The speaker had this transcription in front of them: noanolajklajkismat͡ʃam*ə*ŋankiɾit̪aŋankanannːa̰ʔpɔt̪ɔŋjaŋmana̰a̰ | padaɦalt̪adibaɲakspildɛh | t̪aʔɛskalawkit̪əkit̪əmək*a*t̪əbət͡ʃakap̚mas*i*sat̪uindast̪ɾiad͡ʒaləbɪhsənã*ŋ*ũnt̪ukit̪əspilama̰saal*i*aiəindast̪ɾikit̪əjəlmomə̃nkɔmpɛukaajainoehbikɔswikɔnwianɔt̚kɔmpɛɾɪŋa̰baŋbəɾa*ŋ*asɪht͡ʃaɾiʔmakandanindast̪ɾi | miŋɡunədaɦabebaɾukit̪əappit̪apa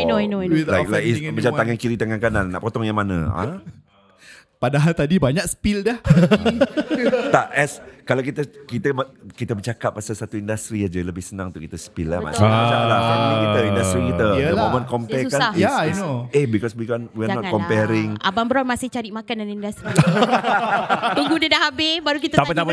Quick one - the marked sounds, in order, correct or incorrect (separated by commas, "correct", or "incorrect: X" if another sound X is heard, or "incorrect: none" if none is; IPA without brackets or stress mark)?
incorrect: a, incorrect: i, incorrect: a, correct, incorrect: a, incorrect: m